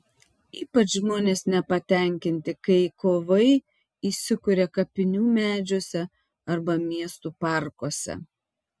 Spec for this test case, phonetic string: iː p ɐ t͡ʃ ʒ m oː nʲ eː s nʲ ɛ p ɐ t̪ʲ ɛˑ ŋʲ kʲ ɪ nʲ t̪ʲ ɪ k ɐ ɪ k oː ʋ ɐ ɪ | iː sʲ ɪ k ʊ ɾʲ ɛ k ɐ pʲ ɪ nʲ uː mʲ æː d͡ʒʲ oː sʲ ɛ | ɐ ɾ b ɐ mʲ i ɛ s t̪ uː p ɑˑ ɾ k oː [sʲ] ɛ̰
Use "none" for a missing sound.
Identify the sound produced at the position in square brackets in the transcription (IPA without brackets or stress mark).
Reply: sʲ